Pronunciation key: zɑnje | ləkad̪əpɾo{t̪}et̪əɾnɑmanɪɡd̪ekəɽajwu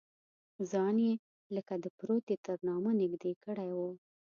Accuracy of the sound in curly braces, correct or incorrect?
correct